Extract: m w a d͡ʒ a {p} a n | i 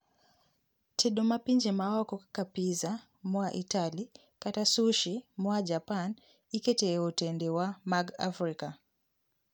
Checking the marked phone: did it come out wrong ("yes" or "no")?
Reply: no